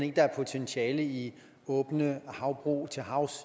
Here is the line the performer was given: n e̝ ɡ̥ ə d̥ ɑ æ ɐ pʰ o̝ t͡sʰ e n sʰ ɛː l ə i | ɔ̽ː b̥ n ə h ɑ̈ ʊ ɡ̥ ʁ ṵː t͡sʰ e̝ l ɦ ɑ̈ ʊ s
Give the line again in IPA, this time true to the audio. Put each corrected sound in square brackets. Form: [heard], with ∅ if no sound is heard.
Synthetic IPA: n e̝ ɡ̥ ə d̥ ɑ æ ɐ pʰ o̝ t͡sʰ e n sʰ ɛː l ə i | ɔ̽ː b̥ n ə h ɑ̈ ʊ [b̥] ʁ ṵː t͡sʰ e̝ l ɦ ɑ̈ ʊ s

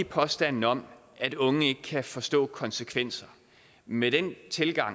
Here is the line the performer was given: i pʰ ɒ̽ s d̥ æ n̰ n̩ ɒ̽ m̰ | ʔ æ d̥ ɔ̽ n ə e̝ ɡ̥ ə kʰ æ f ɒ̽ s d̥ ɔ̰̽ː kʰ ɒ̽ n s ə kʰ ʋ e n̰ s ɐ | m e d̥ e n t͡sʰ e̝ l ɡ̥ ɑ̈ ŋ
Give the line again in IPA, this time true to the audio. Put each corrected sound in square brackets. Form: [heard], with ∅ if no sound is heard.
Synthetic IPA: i pʰ ɒ̽ s d̥ æ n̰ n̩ ɒ̽ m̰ | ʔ æ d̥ ɔ̽ [ŋ] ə e̝ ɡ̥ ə kʰ æ f ɒ̽ s d̥ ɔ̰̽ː kʰ ɒ̽ n s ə kʰ ʋ e n̰ s ɐ | m e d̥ e n t͡sʰ e̝ l ɡ̥ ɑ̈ ŋ

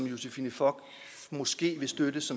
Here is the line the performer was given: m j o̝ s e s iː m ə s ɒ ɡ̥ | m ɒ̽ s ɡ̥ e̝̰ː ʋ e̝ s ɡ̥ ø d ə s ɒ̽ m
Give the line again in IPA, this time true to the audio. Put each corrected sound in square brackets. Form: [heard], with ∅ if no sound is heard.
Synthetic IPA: m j o̝ s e [f] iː [n] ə [f] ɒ ɡ̥ | m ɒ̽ s ɡ̥ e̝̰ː ʋ e̝ s [d̥] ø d ə s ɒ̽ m

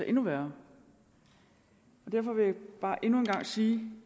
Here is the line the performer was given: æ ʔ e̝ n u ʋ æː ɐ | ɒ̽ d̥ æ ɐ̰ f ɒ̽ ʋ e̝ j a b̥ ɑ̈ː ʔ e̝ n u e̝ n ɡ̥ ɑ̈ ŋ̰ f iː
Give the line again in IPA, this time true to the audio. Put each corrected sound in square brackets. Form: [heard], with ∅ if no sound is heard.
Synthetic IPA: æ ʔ e̝ n u ʋ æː ɐ | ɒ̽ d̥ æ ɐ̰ f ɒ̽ ʋ e̝ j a b̥ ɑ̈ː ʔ e̝ n u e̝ n ɡ̥ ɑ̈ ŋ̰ [s] iː

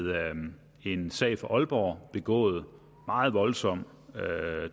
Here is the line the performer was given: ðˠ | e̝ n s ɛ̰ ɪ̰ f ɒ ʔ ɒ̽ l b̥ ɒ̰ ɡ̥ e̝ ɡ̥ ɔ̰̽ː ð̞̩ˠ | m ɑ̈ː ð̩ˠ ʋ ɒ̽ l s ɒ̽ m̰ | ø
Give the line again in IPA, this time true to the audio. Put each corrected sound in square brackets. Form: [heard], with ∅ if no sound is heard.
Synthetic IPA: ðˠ | e̝ n s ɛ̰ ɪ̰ f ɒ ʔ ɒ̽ l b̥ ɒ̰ [b̥] e̝ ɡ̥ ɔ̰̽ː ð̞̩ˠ | m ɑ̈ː ð̩ˠ ʋ ɒ̽ l s ɒ̽ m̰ | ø

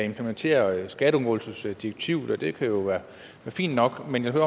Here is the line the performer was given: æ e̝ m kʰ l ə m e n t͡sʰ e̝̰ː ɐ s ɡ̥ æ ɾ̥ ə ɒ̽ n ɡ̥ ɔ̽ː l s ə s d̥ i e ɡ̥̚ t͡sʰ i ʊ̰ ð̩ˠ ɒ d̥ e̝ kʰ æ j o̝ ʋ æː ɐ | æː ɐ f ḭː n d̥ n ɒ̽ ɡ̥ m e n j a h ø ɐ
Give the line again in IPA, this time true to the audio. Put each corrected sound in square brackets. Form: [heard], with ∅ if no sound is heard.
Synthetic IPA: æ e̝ m [pʰ] l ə m e n t͡sʰ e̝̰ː ɐ s ɡ̥ æ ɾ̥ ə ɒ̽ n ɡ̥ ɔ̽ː l s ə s d̥ i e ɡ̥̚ t͡sʰ i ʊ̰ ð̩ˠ ɒ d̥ e̝ kʰ æ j o̝ ʋ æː ɐ | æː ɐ f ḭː n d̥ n ɒ̽ ɡ̥ m e n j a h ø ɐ

